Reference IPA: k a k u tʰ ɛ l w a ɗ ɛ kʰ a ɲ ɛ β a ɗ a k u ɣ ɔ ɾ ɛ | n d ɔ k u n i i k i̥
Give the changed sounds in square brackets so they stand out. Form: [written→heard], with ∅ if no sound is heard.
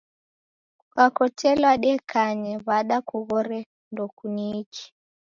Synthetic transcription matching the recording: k a k [u→ɔ] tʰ ɛ l w a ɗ ɛ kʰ a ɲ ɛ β a ɗ a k u ɣ ɔ ɾ ɛ | n d ɔ k u n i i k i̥